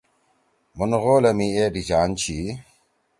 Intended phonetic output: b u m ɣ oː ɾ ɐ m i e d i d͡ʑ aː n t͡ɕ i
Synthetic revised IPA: m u n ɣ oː l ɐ m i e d i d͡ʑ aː n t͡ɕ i

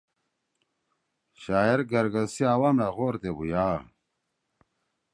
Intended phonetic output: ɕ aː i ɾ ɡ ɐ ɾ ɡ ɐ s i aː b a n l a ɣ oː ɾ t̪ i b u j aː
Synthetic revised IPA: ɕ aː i ɾ ɡ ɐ ɾ ɡ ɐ s i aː w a m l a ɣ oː ɾ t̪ e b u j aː

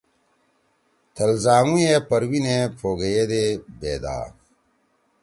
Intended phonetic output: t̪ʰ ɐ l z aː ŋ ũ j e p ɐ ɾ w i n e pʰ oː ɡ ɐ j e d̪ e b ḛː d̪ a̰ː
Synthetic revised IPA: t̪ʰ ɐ l z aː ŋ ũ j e p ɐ ɾ w i n e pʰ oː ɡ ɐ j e d̪ e b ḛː d̪ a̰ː

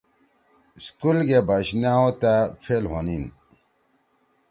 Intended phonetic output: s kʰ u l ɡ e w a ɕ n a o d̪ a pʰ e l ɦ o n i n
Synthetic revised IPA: s k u l ɡ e b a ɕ n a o t̪ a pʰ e l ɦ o n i n

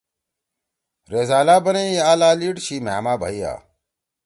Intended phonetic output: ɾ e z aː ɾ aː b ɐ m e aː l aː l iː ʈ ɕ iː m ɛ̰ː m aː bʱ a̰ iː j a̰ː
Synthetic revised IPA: ɾ e z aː l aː b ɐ n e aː l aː l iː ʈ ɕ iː m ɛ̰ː m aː bʱ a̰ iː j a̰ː

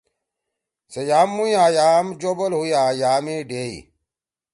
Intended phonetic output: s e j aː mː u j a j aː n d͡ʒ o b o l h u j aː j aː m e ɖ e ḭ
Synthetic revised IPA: s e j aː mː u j a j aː m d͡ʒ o b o l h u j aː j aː m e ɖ e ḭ

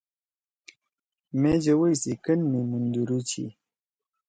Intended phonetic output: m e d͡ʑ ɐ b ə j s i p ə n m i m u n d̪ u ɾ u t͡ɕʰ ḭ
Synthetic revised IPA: m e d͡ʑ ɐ w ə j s i k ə n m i m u n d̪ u ɾ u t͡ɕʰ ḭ

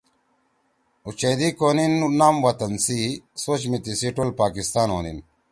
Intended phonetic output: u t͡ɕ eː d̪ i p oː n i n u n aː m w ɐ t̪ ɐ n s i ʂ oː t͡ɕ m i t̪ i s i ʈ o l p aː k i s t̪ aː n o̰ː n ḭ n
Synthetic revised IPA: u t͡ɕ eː d̪ i k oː n i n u n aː m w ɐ t̪ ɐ n s i s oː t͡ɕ m i t̪ i s i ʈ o l p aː k i s t̪ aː n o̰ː n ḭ n

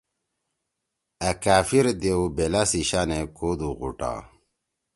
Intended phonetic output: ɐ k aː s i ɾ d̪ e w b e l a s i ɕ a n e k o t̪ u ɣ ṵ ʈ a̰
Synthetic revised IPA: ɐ k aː f i ɾ d̪ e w b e l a s i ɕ a n e k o d̪ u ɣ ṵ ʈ a̰

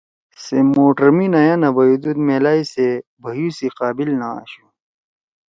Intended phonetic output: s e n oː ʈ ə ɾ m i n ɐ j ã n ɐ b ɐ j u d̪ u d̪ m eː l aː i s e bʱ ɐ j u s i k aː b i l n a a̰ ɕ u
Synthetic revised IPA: s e m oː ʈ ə ɾ m i n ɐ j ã n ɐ b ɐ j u d̪ u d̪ m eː l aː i s e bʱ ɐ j u s i q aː b i l n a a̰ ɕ u

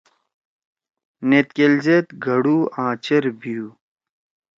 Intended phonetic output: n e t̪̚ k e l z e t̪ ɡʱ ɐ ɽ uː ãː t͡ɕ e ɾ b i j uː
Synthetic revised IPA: n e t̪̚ k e l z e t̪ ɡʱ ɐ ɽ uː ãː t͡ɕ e ɾ b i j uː

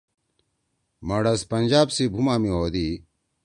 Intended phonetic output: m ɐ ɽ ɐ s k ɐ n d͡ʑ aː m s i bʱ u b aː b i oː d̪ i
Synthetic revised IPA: m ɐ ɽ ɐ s p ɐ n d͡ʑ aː b s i bʱ u m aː m i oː d̪ i

